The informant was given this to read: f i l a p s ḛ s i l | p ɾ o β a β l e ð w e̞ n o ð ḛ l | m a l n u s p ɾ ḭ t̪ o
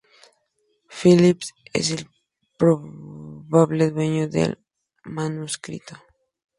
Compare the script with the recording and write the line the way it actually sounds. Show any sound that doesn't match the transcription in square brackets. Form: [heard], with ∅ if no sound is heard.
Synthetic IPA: f i l [i] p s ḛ s [e] l | p ɾ o β a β l e ð w e̞ [ɲ] o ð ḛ l | m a [∅] n u s [k] ɾ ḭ t̪ o